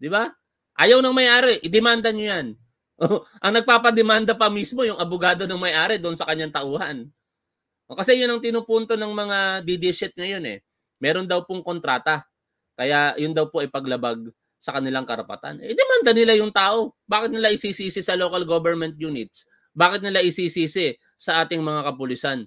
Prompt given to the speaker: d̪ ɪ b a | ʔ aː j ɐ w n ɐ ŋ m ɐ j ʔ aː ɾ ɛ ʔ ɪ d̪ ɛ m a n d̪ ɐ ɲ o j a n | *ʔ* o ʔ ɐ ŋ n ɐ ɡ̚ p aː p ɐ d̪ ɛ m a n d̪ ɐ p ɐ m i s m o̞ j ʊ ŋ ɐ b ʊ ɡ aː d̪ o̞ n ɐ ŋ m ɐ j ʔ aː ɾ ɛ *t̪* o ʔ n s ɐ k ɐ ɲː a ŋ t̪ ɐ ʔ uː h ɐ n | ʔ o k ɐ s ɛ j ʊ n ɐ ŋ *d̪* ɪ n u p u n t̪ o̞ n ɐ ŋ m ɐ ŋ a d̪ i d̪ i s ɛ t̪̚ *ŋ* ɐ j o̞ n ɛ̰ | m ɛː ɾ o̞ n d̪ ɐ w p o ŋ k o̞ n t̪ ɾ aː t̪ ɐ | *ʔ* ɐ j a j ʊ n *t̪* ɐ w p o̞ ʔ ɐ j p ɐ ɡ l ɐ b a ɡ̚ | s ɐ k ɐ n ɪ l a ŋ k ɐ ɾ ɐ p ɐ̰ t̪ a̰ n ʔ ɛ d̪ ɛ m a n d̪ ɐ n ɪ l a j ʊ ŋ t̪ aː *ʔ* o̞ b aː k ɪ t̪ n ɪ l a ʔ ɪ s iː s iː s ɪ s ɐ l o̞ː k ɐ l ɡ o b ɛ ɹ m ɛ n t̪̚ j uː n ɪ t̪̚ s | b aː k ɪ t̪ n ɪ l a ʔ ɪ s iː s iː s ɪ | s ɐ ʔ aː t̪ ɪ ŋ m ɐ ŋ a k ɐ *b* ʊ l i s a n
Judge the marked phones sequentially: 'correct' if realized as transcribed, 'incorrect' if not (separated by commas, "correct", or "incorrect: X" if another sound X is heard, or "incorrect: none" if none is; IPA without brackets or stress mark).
correct, incorrect: d̪, incorrect: t̪, correct, incorrect: k, incorrect: d̪, correct, incorrect: p